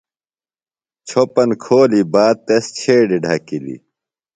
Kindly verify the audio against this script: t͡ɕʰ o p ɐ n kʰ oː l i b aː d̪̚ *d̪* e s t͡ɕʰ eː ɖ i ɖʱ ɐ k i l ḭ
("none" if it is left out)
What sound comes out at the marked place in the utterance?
t̪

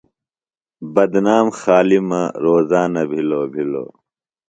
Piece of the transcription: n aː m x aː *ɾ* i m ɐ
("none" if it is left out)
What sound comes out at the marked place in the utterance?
l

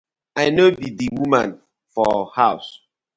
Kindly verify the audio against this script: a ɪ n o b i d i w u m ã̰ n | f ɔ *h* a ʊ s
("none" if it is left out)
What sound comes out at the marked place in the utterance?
h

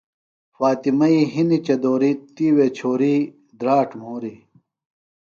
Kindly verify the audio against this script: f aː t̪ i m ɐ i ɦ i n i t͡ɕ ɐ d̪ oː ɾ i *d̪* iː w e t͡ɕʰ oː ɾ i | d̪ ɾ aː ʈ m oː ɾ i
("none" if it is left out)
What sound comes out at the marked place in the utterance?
t̪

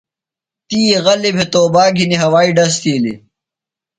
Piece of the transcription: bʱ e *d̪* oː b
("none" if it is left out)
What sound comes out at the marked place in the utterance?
t̪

